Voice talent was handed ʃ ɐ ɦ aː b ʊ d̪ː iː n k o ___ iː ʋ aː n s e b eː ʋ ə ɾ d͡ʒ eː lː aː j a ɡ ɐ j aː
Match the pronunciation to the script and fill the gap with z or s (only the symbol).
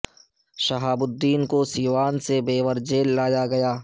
s